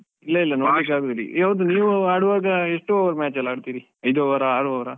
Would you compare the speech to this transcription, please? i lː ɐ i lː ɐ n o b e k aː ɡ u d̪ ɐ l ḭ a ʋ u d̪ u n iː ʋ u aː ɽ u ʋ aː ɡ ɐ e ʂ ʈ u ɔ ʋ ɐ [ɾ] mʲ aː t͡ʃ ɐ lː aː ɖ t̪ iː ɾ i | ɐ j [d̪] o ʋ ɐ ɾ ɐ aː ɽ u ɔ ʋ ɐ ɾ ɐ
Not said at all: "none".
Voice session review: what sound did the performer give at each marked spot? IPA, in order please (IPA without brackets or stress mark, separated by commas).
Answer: ɾ, d̪